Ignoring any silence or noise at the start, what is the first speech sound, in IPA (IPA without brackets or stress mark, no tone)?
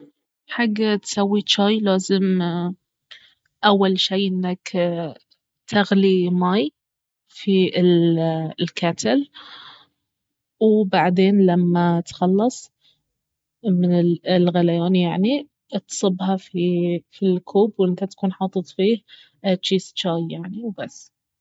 ħ